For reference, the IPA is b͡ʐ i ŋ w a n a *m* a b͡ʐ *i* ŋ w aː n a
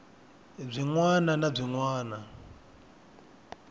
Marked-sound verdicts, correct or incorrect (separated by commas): incorrect, correct